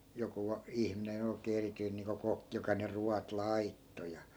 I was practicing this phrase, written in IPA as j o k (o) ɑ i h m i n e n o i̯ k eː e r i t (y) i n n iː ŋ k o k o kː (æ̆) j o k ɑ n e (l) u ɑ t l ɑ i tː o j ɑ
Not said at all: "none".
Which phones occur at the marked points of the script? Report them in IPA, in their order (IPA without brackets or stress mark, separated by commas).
u, y, ĭ, r